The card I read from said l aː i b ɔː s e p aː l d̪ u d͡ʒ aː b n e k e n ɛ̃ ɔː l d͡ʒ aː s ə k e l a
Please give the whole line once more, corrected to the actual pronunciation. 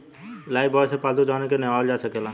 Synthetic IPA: l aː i b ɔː s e p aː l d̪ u d͡ʒ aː n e k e n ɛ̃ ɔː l d͡ʒ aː s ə k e l a